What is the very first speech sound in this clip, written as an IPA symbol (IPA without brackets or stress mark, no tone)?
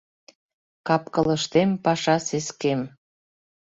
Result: k